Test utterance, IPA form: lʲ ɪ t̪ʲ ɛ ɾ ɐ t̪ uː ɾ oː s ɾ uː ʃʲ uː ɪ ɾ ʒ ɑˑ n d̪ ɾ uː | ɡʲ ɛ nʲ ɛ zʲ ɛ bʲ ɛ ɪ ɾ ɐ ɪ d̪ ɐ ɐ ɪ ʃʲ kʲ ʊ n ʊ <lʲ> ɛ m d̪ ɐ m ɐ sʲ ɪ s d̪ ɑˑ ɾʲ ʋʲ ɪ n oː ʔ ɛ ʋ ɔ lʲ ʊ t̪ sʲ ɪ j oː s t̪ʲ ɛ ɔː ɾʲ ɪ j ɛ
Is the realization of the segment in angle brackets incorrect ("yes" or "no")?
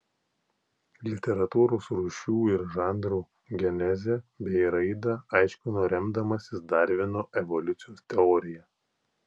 yes